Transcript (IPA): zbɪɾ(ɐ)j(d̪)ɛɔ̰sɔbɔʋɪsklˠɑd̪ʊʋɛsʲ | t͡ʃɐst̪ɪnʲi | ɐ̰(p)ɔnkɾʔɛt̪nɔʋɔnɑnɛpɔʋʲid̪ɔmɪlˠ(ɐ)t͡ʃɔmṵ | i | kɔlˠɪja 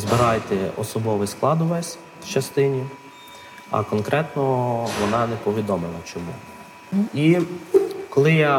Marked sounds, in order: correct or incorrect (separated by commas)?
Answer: incorrect, incorrect, incorrect, correct